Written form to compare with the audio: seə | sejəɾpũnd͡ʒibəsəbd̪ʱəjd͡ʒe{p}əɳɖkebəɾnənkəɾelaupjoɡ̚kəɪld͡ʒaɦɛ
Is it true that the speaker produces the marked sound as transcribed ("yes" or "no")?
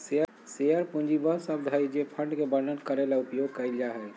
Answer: no